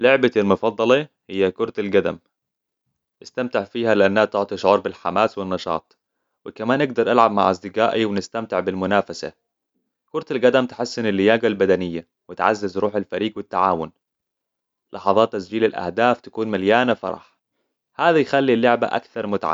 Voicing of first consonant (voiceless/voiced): voiced